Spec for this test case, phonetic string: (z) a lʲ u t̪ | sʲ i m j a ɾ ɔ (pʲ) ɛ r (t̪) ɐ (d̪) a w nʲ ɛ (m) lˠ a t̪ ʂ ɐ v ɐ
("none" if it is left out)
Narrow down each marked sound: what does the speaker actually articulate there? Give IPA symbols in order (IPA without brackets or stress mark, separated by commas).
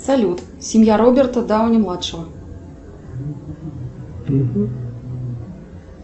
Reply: s, bʲ, t̪, d̪, m